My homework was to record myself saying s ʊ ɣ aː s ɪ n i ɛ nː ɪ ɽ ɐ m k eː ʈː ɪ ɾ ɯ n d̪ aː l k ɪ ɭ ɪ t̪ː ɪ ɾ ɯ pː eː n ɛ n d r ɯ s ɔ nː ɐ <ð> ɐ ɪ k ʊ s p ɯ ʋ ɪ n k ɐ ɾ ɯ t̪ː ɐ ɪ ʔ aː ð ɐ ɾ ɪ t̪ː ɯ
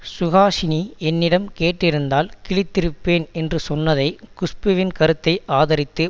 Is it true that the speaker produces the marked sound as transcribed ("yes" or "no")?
yes